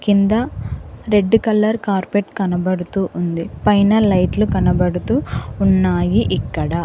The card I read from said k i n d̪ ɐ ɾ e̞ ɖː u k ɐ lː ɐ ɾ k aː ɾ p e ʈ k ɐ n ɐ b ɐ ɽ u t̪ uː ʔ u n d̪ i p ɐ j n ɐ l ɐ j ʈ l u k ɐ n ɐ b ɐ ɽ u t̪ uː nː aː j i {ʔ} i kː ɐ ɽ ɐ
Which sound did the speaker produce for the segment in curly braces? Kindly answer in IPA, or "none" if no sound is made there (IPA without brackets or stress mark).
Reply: ʔ